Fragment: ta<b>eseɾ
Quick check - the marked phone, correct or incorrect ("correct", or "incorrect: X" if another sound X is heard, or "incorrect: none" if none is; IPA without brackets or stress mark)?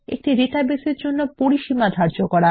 correct